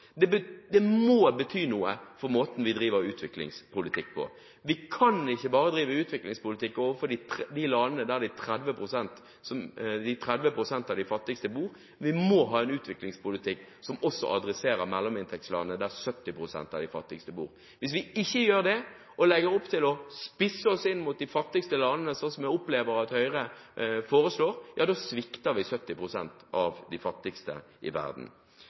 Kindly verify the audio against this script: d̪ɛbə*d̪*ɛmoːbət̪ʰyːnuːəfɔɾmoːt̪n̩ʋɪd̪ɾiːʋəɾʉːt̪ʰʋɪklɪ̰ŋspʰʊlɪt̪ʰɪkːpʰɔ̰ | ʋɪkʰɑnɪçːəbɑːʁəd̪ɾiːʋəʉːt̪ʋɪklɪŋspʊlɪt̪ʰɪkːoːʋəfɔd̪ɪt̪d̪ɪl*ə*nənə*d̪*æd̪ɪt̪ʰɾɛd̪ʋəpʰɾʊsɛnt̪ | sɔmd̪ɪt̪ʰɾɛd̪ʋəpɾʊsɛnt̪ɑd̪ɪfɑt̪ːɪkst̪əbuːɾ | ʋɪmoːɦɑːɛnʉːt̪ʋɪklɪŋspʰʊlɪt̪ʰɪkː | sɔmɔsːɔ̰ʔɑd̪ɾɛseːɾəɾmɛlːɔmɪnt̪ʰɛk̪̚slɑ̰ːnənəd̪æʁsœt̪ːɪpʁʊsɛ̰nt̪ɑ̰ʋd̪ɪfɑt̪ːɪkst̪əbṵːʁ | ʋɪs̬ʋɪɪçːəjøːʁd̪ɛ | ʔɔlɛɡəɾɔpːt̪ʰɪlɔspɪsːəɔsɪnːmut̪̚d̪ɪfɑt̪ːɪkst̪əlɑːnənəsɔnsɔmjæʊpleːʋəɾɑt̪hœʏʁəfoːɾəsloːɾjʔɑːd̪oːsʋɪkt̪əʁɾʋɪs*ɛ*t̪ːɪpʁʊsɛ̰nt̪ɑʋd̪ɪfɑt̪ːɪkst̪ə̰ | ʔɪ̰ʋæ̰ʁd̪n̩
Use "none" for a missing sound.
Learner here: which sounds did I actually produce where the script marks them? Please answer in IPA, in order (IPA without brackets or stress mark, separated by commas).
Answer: d̪, ɑ, d̪, œ